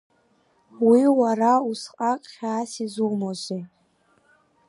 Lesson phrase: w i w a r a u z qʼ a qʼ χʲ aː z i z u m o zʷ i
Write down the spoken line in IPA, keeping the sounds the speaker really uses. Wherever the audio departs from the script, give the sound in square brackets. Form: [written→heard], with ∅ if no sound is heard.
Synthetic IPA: w i w a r a u [z→s] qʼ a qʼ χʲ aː [z→s] i z u m o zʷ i